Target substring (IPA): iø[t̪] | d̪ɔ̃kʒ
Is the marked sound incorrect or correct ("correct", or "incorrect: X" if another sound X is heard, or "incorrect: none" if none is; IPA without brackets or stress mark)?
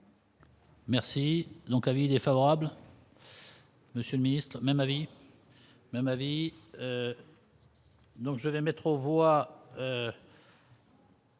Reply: incorrect: none